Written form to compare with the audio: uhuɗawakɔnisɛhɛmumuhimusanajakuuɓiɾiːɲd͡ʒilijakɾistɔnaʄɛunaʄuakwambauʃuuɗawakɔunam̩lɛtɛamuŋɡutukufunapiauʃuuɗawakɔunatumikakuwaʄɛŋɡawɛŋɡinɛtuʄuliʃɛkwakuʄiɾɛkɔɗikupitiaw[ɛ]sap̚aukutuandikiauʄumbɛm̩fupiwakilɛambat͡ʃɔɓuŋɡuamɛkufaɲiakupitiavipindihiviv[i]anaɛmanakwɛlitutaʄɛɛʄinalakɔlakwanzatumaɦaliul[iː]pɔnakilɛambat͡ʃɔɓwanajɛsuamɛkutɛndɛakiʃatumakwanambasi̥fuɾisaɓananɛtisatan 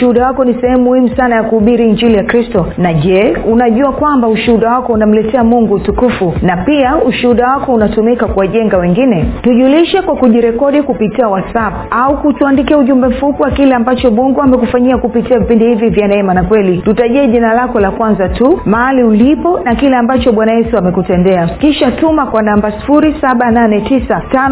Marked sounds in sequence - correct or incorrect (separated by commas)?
incorrect, incorrect, incorrect